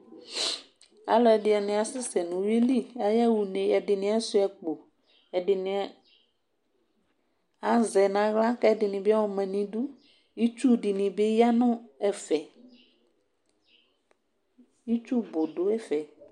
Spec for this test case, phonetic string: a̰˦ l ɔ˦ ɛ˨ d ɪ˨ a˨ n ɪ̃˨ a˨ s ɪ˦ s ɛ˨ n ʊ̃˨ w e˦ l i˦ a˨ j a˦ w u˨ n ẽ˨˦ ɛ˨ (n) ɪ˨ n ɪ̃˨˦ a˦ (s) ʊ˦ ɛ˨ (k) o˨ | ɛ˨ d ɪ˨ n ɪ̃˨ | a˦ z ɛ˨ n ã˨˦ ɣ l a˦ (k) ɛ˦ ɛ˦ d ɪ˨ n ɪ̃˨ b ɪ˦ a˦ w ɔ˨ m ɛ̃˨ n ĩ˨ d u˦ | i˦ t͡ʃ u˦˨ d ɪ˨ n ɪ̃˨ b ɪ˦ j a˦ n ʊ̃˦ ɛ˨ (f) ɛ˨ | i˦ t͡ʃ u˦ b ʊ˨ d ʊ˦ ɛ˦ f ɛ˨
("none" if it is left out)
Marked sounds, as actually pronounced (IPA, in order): d, s, k͡p, k, f

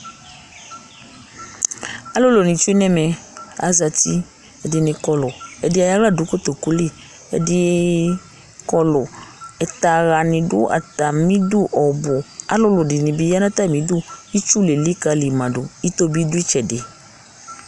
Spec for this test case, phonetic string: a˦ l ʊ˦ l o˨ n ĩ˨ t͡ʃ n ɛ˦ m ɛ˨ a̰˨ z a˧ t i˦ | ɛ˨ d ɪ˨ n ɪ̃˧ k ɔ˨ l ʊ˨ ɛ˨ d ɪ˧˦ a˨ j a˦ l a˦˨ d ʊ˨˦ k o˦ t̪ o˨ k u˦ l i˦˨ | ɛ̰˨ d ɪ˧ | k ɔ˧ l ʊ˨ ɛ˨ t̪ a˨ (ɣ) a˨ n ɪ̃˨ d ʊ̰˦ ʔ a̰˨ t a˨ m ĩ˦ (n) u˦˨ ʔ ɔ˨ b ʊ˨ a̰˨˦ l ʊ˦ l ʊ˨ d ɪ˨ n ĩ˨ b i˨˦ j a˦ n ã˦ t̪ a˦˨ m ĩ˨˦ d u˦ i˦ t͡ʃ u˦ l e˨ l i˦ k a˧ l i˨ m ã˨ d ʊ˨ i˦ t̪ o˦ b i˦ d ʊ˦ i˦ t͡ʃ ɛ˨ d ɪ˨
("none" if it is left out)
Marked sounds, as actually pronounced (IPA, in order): ɣ, d

